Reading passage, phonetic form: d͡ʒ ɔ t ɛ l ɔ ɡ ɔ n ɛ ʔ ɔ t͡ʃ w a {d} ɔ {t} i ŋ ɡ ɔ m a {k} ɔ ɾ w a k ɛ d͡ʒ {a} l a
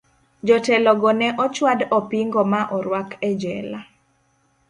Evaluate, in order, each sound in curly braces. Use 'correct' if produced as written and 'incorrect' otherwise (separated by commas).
correct, incorrect, incorrect, incorrect